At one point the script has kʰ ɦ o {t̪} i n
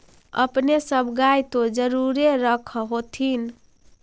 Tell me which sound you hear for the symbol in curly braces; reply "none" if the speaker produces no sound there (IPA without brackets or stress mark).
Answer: t̪ʰ